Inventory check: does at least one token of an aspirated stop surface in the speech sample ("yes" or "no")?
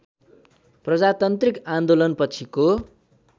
yes